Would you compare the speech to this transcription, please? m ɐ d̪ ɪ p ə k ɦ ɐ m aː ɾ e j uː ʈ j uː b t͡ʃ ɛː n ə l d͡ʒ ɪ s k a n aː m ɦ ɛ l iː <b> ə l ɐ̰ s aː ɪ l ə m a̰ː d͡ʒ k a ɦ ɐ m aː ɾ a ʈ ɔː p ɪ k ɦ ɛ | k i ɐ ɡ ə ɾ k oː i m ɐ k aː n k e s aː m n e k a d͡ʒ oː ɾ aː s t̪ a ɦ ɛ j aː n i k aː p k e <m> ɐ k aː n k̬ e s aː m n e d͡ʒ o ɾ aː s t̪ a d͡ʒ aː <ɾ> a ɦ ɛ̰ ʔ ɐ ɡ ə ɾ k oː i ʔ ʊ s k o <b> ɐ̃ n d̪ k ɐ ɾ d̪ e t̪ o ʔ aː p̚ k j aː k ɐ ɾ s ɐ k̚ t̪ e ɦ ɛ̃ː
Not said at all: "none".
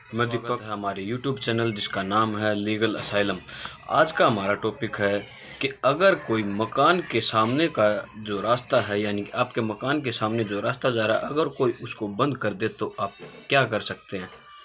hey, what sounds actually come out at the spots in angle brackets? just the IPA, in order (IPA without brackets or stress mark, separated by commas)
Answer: ɡ, m, ɾ, b